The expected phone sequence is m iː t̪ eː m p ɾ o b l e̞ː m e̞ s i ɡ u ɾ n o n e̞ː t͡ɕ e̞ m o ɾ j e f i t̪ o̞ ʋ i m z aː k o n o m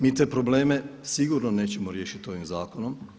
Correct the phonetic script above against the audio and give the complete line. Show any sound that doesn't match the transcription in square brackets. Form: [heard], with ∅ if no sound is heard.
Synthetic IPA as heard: m iː t̪ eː [∅] p ɾ o b l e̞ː m e̞ s i ɡ u ɾ n o n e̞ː t͡ɕ e̞ m o ɾ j e [ʃ] i t̪ o̞ ʋ i m z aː k o n o m